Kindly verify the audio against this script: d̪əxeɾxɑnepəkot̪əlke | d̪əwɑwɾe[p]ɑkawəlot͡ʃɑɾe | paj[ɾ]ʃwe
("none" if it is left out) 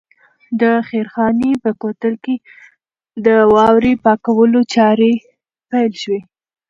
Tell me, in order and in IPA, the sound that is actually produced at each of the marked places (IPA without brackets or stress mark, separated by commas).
p, l